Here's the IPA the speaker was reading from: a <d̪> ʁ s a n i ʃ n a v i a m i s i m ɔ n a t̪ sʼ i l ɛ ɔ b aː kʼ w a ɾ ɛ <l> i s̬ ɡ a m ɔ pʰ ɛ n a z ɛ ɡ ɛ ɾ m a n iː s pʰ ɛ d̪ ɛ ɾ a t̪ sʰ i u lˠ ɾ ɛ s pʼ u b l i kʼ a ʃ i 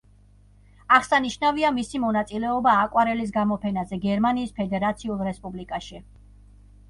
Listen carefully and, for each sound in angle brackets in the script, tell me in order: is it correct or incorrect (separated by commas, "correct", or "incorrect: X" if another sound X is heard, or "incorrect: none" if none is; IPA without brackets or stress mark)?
incorrect: none, correct